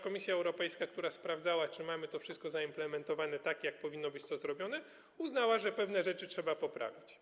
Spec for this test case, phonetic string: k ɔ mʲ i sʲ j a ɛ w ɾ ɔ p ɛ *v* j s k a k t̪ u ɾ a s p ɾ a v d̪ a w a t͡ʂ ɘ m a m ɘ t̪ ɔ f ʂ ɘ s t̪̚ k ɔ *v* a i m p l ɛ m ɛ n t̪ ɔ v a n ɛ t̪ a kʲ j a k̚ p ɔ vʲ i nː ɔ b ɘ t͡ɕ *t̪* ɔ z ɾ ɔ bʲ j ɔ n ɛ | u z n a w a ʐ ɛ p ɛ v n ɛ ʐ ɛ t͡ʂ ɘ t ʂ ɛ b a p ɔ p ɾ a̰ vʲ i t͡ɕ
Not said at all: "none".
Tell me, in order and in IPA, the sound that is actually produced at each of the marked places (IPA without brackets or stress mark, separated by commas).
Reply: none, z, t̪